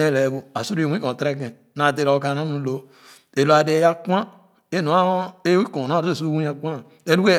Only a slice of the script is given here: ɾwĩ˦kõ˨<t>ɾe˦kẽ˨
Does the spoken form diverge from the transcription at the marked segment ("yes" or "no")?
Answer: no